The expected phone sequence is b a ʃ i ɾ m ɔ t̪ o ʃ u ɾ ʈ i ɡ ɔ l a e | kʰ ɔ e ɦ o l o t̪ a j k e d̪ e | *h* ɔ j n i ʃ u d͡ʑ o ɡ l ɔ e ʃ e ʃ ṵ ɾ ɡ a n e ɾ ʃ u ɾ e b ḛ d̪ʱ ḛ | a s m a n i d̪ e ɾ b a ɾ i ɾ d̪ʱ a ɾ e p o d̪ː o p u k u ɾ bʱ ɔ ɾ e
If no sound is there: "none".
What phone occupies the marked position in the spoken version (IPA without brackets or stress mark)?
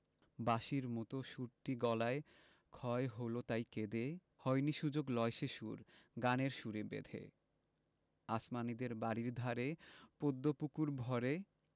h